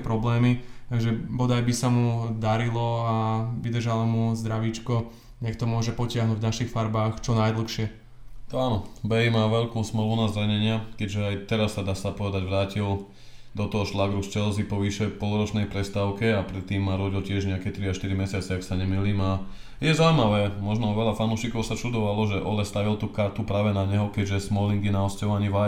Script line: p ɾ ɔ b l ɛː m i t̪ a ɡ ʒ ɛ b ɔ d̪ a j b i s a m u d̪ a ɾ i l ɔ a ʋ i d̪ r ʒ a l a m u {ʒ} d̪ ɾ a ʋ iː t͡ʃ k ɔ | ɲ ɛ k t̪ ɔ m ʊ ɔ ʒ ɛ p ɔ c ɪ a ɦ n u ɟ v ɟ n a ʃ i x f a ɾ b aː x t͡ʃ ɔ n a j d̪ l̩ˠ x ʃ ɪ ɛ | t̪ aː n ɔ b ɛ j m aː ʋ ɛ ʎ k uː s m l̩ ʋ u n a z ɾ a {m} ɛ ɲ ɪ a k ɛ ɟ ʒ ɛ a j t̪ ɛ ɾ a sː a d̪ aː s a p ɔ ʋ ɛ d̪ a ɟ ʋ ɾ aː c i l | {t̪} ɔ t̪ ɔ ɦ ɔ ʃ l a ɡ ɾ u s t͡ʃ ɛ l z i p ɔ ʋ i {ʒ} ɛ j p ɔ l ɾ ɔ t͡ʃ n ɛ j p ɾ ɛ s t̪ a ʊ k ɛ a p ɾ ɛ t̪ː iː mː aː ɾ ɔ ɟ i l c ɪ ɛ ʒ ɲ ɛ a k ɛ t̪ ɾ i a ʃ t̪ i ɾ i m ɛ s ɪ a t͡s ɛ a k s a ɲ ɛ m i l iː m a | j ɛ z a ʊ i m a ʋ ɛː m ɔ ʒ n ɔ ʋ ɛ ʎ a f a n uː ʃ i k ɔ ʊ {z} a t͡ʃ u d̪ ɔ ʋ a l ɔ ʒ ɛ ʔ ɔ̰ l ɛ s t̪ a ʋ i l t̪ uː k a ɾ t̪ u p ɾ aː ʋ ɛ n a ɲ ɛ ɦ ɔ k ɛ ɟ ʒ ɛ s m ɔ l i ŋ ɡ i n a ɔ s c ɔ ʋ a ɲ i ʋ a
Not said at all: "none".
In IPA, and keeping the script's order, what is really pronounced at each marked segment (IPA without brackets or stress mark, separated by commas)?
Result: z, ɲ, d̪, ʃ, s